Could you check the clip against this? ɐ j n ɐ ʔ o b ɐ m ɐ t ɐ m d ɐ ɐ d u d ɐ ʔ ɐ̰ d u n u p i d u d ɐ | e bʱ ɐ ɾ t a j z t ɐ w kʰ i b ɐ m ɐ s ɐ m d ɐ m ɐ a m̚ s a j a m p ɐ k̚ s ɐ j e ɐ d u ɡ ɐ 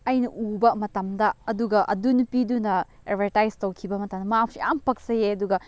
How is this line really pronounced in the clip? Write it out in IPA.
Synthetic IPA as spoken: ɐ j n ɐ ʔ u b ɐ m ɐ t ɐ m d ɐ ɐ d u ɡ ɐ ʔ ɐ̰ d u n u p i d u n ɐ | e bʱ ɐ ɾ t a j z t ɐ w kʰ i b ɐ m ɐ t ɐ m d ɐ m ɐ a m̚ s i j a m p ɐ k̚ s ɐ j e ɐ d u ɡ ɐ

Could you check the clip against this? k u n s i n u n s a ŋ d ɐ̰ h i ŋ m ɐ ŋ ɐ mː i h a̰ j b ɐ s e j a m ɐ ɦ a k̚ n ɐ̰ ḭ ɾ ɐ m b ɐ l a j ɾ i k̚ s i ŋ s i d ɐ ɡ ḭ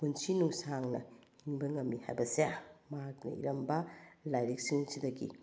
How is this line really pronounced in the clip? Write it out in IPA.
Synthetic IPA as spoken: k u n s i n u ŋ s a ŋ n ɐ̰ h i ŋ b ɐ ŋ ɐ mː i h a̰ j b ɐ s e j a m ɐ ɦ a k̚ n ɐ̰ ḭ ɾ ɐ m b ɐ l a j ɾ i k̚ s i ŋ s i d ɐ ɡ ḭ

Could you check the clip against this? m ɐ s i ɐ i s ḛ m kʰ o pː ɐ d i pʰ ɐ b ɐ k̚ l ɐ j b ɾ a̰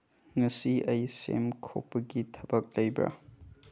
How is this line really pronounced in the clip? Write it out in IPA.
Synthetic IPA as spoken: ŋ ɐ s i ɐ j s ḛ m kʰ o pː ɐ ɡ i tʰ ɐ b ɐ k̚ l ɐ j b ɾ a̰

